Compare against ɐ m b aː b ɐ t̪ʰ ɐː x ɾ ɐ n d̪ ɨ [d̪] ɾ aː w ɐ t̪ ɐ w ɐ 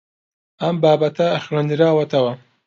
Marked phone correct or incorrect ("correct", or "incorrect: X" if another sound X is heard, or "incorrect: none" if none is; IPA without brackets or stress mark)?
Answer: incorrect: none